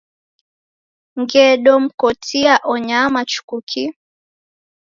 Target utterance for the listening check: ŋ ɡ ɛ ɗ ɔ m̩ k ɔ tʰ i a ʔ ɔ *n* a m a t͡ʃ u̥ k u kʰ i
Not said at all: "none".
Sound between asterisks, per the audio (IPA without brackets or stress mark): ɲ